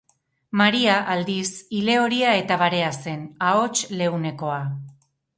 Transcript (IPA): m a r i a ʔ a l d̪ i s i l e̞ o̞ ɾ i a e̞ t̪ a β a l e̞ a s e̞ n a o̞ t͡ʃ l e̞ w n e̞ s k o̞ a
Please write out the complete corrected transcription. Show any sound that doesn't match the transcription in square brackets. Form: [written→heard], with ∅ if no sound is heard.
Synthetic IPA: m a [r→ɾ] i a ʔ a l d̪ i s i l e̞ o̞ ɾ i a e̞ t̪ a β a [l→ɾ] e̞ a s e̞ n a o̞ t͡ʃ l e̞ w n e̞ [s→∅] k o̞ a